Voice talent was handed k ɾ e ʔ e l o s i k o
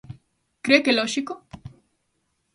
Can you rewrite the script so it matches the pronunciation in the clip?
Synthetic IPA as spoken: k ɾ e k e l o ʃ i k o